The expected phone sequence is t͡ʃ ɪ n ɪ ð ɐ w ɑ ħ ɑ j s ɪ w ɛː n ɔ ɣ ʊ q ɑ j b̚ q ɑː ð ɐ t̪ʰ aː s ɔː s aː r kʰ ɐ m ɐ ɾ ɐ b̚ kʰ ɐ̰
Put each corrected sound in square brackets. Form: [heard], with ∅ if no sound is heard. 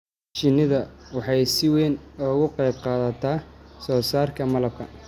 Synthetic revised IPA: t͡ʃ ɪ n ɪ ð ɐ w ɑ ħ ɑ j s ɪ w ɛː n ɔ ɣ ʊ q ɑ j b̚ q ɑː ð ɐ t̪ʰ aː s ɔː s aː r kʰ ɐ m ɐ [l] ɐ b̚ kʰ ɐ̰